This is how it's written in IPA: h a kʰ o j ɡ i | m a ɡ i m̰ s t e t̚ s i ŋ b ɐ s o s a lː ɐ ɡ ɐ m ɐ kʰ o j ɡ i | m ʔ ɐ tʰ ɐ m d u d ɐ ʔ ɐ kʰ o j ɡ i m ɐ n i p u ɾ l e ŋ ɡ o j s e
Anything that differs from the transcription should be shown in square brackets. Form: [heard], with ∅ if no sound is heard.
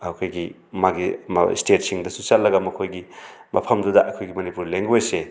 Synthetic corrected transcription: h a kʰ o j ɡ i | m a ɡ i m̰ s t e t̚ s i ŋ [d] ɐ s [u] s a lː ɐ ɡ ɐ m ɐ kʰ o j ɡ i | m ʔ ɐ [pʰ] ɐ m d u d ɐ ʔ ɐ kʰ o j ɡ i m ɐ n i p u ɾ l e ŋ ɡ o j s e